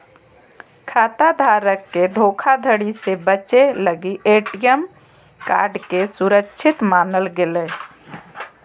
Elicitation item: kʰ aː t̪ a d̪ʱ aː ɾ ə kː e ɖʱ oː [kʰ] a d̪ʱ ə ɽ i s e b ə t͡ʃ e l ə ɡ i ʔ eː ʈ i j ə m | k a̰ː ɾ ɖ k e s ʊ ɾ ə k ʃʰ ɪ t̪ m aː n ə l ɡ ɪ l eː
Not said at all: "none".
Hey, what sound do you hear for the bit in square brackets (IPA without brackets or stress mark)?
kʰ